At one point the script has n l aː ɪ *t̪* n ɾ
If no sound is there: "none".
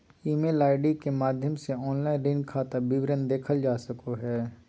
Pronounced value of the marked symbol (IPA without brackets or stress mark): none